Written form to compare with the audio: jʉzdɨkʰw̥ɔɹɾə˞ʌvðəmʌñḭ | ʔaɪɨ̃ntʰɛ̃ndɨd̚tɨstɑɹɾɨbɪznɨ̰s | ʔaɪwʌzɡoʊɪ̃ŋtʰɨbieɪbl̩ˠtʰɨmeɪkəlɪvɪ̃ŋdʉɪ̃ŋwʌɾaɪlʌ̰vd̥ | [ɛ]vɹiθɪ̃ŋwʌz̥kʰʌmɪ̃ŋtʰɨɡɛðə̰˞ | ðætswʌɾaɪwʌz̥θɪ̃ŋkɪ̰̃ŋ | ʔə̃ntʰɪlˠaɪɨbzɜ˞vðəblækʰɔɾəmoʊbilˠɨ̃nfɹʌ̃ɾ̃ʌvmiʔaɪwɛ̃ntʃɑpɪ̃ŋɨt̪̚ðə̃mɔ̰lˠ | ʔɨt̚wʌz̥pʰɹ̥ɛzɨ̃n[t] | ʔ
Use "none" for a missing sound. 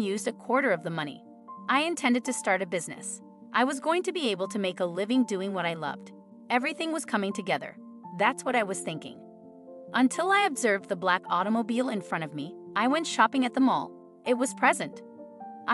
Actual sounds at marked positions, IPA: ɛ, t

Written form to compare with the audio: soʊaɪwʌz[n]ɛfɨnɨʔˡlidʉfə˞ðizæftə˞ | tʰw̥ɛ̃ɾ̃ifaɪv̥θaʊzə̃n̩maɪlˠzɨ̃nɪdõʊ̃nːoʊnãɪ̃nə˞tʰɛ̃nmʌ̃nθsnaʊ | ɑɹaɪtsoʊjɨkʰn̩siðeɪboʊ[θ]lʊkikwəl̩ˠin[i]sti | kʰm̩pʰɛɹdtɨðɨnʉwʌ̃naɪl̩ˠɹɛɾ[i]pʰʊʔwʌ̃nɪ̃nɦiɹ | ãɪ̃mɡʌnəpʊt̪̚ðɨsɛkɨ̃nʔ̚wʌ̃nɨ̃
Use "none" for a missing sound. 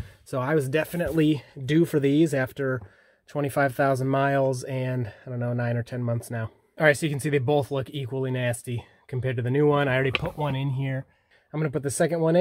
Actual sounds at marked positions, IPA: d, θ, æ, i

